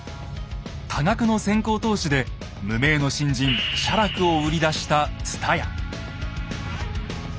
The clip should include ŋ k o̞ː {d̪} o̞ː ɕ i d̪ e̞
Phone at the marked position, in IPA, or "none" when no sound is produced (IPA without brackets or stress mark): t̪